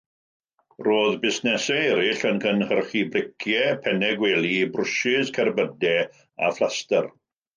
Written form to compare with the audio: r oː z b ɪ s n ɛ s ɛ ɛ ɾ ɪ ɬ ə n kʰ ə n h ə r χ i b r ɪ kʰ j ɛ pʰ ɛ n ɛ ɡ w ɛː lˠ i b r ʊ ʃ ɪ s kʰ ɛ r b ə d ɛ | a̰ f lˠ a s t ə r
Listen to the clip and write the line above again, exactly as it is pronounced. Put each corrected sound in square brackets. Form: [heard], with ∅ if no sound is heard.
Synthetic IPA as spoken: r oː [ð] b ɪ s n ɛ s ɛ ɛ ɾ ɪ ɬ ə n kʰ ə n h ə r χ i b r ɪ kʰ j ɛ pʰ ɛ n ɛ ɡ w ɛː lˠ i b r ʊ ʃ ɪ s kʰ ɛ r b ə d ɛ | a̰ f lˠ a s t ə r